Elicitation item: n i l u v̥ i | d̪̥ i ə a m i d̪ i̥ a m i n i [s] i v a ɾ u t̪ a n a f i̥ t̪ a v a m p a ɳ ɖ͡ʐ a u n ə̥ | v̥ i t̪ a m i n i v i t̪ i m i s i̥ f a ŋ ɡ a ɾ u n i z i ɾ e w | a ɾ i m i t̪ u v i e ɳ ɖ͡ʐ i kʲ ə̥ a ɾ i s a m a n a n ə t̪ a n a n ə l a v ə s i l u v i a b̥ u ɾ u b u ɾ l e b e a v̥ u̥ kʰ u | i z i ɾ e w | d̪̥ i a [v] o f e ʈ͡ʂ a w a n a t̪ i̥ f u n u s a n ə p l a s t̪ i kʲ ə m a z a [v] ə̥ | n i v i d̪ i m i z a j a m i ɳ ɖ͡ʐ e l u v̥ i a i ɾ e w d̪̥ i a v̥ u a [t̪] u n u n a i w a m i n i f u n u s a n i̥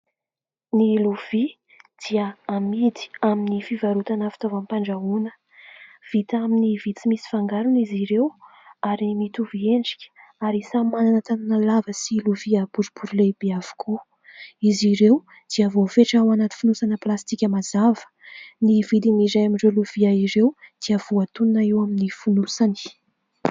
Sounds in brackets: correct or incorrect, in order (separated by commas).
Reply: incorrect, correct, correct, correct